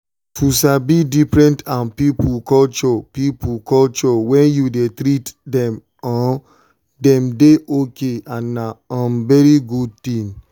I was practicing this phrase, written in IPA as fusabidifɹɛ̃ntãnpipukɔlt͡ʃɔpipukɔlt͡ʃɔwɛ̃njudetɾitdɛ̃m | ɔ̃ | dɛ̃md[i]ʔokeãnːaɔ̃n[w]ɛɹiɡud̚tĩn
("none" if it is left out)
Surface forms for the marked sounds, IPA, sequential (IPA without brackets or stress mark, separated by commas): e, v